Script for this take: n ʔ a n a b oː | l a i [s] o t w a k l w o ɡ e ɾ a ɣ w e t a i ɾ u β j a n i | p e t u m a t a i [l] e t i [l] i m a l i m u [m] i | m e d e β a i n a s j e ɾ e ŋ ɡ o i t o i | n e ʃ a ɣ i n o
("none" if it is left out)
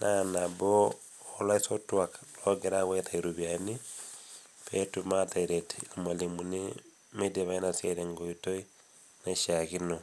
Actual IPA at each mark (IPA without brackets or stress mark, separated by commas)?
s, ɾ, l, n